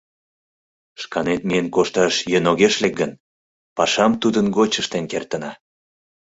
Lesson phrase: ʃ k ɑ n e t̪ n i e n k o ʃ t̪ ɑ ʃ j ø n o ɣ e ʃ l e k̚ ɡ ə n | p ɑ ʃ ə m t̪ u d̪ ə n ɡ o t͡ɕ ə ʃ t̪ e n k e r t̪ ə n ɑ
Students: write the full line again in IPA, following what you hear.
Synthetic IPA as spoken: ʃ k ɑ n e t̪ m i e n k o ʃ t̪ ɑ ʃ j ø n o ɣ e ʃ l e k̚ ɡ ə n | p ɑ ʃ ɑ m t̪ u d̪ ə n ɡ o t͡ɕ ə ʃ t̪ e n k e r t̪ ə n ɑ